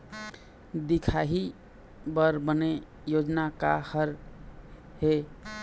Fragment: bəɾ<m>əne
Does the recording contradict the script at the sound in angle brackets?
yes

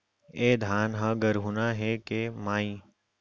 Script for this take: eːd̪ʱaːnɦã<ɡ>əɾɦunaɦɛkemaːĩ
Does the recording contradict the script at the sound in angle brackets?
no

